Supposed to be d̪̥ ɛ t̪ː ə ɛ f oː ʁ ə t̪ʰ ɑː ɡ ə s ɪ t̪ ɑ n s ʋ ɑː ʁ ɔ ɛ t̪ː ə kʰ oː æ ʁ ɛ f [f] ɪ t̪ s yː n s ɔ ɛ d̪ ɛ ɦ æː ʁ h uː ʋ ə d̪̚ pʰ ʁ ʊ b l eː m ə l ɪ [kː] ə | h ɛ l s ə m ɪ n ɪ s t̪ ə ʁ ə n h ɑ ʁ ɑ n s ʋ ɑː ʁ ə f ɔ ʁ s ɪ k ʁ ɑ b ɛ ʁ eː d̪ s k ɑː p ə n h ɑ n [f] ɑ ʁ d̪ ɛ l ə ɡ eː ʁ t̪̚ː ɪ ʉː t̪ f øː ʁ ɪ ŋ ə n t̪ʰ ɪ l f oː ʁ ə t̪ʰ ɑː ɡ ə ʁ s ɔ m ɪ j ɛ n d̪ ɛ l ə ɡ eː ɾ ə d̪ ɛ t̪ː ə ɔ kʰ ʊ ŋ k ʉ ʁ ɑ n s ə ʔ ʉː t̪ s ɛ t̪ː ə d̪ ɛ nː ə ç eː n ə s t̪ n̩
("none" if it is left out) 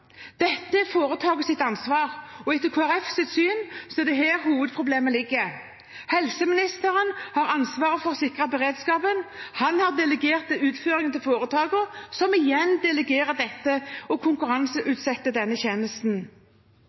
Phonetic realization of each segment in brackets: s, ɡː, h

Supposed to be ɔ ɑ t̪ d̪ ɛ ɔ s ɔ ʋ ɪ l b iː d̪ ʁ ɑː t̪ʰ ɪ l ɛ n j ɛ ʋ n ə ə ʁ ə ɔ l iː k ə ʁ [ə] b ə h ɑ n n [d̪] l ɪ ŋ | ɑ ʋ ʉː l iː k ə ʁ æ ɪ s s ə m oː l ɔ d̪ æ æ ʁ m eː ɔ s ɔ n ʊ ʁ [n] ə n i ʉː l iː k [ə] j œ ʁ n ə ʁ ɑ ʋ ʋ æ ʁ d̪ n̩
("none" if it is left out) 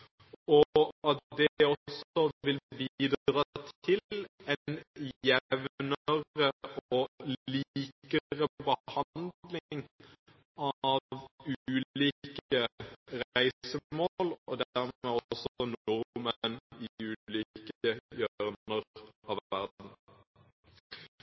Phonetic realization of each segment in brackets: ə, d̪, m, ə

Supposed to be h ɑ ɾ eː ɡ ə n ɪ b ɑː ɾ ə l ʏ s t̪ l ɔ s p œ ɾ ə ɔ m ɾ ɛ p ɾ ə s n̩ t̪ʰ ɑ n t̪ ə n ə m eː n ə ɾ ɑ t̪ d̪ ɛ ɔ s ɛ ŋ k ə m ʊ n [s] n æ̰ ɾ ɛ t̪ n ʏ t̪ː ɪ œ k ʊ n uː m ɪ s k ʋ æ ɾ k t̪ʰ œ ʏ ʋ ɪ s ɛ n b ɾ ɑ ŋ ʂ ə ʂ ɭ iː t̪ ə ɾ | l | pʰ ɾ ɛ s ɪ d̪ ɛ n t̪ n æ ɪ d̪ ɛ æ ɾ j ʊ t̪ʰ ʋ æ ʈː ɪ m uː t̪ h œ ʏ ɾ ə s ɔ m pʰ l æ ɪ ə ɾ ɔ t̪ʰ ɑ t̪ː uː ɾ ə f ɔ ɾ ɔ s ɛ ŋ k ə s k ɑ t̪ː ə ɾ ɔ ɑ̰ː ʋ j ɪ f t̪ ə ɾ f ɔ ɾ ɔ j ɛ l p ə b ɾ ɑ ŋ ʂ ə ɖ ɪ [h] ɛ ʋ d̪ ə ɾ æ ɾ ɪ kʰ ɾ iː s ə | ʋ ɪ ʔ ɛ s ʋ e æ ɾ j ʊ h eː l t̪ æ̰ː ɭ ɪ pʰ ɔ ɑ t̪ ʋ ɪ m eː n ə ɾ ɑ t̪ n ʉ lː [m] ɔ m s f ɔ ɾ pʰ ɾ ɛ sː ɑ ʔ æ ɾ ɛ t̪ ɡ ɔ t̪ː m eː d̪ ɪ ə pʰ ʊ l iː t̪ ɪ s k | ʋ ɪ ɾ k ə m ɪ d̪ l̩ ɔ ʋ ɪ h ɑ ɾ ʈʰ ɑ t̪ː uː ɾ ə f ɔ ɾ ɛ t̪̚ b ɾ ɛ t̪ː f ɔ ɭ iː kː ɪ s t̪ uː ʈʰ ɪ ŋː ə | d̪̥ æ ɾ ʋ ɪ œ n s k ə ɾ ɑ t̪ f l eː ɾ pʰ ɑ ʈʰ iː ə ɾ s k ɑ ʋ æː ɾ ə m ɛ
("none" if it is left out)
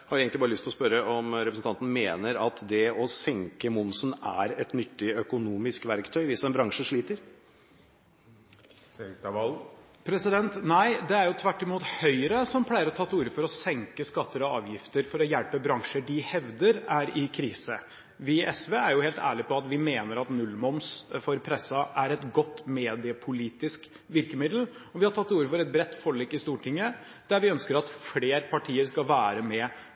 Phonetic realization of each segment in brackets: s, h, m

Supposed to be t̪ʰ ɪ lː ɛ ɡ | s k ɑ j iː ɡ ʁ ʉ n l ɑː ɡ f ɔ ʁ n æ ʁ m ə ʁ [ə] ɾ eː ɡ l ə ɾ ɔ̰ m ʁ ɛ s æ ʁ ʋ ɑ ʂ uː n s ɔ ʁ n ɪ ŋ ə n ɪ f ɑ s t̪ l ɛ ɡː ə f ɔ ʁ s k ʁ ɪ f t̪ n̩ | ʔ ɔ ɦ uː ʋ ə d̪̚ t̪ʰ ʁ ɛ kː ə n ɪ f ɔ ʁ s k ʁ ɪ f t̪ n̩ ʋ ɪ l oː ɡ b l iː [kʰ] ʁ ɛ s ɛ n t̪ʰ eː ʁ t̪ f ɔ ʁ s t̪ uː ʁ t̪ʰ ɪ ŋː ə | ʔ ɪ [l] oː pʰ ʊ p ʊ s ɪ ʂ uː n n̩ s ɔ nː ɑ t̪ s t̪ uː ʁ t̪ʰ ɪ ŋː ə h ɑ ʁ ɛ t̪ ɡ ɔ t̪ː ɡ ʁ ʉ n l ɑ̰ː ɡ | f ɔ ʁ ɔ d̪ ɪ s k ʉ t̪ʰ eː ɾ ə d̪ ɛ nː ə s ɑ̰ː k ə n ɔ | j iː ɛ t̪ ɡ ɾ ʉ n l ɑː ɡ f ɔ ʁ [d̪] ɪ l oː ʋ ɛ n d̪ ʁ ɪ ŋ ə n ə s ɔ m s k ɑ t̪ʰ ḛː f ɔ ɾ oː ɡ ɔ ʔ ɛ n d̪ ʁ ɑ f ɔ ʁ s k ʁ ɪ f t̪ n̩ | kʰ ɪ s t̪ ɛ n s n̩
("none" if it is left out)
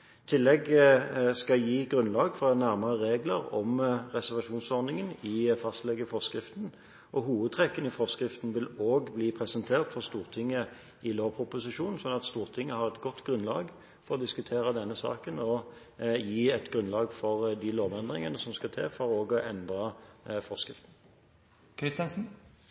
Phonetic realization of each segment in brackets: ə, pʰ, l, d̪

